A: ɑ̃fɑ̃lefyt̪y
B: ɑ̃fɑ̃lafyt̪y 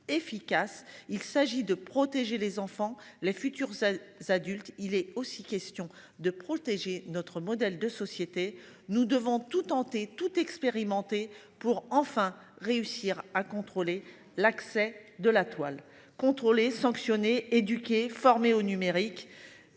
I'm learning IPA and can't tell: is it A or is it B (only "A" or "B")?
A